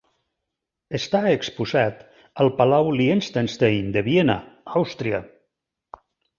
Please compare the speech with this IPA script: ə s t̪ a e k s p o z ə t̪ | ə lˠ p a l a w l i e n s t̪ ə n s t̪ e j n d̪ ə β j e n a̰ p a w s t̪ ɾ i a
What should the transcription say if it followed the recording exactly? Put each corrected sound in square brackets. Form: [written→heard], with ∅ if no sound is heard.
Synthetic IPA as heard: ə s t̪ a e k s p [o→u] z [ə→a] t̪ | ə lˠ p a l a w l i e n s t̪ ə n s t̪ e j n d̪ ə β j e n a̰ [p→∅] a w s t̪ ɾ i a